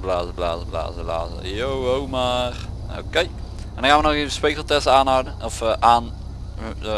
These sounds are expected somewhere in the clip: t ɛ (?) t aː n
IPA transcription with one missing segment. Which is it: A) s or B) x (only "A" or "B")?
A